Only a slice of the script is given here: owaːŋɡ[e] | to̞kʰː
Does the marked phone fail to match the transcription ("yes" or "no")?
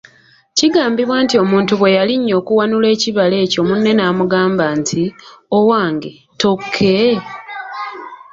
no